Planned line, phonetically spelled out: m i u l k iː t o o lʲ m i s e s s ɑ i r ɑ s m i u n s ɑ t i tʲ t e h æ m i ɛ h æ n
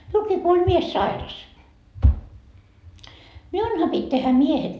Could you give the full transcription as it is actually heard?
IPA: m i u l k iː k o o lʲ m i e s s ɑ i r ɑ s m i u n h ɑ p i tʲ t e h æ m i e h e n

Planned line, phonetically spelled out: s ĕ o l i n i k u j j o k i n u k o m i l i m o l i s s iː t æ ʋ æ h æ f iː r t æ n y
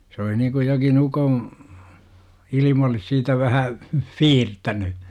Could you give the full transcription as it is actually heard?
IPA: s ĕ o l i n i k u j j o k i n u k o m i l i m o l i s s iː t æ ʋ æ h æ f iː r t æ n y

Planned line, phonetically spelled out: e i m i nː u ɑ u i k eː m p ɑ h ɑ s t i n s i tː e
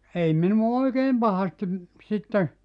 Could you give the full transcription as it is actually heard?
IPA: e i m i n u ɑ o i k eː m p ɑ h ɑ s t i m s i tː e

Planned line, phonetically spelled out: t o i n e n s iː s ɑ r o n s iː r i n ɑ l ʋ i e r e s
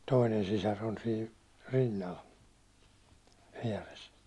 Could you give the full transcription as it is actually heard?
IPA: t o i n e n s i s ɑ r o n s iː r i nː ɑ l ʋ i ɛ r e s

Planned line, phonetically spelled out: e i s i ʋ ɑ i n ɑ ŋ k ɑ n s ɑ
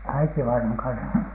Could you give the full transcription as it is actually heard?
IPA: æ i t i ʋ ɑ i n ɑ ŋ k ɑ n s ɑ

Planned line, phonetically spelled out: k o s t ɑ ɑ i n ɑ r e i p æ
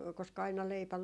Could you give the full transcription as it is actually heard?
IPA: k o s k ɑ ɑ i n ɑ l e i p æ

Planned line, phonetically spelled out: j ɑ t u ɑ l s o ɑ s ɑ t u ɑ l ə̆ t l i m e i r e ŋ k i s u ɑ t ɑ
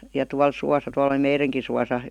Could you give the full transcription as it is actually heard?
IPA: j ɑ t u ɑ l s u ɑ s ɑ t u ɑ l ə̆ l i m e i r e ŋ k i s u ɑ s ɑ

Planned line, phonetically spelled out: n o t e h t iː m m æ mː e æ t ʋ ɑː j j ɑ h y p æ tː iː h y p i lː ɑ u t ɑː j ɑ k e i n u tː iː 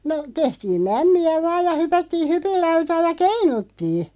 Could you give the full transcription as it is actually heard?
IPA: n o t e h t iː m m æ mː i æ ʋ ɑː j j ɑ h y p æ tː iː h y p i lː ɑ u t ɑː j ɑ k e i n u tː iː

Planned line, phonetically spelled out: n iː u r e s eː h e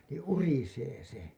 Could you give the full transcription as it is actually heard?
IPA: n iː u r i s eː s e

